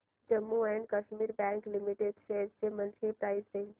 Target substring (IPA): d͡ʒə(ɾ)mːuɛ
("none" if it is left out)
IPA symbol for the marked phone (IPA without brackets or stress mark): none